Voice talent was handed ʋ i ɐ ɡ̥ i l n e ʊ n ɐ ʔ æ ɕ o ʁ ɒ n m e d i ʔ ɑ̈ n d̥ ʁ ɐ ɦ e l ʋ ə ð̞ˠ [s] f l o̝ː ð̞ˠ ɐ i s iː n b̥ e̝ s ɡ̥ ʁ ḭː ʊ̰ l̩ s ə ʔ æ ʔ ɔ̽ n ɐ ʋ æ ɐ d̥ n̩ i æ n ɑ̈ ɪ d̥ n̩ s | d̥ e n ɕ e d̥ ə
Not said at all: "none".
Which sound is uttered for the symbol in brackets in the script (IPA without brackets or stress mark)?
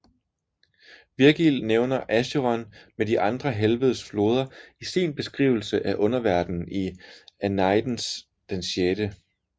s